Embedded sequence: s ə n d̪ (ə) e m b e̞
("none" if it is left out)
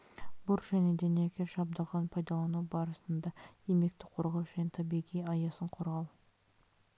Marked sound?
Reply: ɑ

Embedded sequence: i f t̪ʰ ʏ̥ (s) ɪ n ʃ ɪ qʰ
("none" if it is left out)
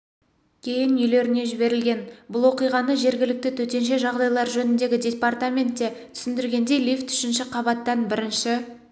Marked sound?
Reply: ʃ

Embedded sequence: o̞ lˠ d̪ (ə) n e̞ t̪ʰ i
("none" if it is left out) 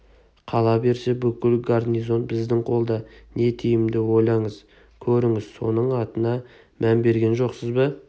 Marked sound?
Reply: ɑ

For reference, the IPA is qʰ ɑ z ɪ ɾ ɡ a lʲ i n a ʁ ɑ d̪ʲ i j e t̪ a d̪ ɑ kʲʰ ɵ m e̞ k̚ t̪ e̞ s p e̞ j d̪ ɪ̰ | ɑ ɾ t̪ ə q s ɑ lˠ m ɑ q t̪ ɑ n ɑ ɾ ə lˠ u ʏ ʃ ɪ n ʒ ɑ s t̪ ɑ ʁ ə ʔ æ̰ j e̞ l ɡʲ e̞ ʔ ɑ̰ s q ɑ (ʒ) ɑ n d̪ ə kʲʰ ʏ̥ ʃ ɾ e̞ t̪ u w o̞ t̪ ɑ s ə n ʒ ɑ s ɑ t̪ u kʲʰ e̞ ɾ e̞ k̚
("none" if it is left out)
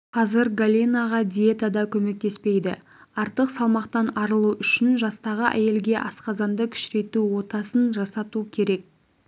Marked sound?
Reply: z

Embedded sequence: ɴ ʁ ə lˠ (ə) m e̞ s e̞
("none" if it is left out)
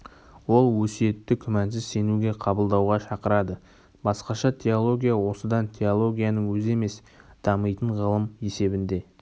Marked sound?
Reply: ə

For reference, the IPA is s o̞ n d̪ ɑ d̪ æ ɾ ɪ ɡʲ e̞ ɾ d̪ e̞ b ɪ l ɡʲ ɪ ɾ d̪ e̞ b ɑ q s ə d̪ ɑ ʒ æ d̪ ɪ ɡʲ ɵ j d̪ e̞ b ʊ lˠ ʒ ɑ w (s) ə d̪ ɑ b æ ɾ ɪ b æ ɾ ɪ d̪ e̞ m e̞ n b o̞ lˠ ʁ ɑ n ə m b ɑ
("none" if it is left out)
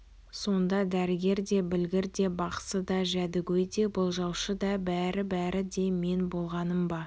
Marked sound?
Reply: ʃ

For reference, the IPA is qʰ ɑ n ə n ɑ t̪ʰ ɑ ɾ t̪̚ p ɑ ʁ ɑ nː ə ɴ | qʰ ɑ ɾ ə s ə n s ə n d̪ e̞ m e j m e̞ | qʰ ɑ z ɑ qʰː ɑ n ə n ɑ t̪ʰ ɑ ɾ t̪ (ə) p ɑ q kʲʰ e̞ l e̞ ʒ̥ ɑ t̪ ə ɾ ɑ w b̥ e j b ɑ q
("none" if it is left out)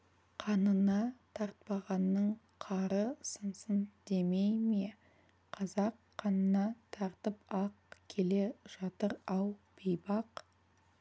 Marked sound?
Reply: ə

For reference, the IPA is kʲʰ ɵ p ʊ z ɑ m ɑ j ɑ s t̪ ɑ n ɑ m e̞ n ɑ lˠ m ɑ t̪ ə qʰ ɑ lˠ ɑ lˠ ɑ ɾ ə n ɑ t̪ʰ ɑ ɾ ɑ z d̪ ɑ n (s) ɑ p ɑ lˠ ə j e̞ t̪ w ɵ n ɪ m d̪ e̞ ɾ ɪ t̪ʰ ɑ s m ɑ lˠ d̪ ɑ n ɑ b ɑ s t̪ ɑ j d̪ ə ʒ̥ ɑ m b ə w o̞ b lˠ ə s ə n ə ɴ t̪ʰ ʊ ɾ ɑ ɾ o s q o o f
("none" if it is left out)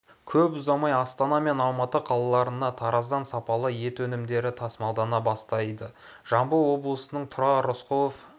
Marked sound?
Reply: s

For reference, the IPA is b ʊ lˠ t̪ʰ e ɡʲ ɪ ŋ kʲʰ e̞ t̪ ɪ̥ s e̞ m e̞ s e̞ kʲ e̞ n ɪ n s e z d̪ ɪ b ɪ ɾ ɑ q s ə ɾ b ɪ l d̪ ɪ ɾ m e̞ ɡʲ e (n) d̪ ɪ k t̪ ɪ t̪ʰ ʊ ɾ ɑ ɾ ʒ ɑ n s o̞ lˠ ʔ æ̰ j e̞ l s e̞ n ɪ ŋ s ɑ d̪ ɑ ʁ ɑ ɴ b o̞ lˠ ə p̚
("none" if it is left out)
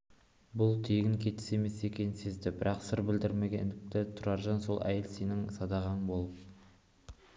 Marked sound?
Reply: n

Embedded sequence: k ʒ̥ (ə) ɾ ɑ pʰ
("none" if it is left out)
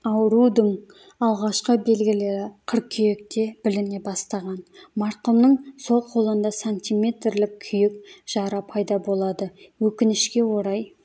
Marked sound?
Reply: ɑ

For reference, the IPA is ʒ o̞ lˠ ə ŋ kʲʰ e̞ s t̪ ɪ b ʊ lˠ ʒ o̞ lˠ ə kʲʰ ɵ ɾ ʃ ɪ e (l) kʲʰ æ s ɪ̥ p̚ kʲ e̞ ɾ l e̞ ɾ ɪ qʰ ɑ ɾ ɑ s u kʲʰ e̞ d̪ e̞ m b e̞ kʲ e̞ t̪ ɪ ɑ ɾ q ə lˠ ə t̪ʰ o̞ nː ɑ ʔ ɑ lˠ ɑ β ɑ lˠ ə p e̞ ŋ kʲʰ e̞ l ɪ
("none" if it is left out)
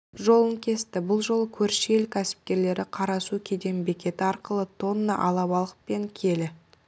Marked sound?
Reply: l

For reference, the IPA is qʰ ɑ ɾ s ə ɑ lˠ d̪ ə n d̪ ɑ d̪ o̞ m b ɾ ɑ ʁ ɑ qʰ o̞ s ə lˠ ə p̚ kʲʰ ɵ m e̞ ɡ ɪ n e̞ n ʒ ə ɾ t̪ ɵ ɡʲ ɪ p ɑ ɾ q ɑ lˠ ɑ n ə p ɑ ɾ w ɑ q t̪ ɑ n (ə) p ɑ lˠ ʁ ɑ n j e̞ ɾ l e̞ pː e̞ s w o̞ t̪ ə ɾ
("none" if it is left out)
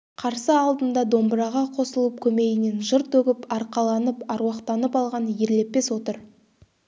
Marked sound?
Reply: ə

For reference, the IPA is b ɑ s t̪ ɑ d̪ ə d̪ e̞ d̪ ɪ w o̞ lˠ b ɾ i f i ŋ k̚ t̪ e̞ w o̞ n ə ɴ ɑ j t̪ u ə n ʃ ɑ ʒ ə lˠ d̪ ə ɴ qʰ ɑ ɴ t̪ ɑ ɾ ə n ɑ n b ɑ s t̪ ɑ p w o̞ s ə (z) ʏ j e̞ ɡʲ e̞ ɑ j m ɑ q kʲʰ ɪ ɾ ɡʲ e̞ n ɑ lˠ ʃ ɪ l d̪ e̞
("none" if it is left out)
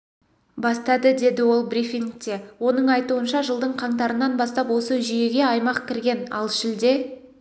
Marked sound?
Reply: ʒ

